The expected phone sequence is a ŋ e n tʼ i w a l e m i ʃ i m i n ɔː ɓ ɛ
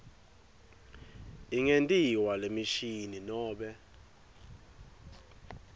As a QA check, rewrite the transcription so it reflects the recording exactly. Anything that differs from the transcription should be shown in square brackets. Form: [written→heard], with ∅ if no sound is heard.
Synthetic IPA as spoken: [a→i] ŋ e n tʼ i w a l e m i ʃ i [m→n] i n ɔː ɓ ɛ